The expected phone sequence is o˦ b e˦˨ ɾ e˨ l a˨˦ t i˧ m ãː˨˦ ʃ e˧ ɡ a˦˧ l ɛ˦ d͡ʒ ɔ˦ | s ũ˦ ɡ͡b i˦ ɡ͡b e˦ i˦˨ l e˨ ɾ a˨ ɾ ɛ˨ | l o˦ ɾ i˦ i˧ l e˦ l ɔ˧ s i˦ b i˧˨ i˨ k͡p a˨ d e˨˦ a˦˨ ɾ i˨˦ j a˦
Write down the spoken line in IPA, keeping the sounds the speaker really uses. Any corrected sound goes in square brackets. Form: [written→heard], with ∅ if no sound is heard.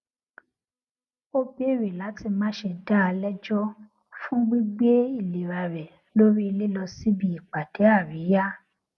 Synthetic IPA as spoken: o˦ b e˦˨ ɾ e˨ l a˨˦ t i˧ m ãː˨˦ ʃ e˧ [ɡ→d] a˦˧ l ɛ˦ d͡ʒ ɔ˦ | [s→f] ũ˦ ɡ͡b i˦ ɡ͡b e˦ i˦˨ l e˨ ɾ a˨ ɾ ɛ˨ | l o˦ ɾ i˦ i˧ l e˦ l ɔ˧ s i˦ b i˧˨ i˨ k͡p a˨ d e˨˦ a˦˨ ɾ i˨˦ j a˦